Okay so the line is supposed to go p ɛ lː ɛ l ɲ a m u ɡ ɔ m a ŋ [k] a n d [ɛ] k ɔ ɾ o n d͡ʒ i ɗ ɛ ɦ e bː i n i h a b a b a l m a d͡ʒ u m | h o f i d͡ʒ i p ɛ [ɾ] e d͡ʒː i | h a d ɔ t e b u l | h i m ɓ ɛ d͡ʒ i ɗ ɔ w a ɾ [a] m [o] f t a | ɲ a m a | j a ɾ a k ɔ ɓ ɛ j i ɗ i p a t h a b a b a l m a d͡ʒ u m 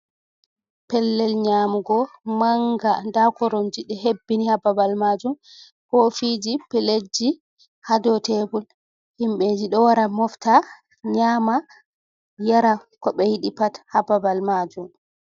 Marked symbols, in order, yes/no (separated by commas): no, no, no, yes, no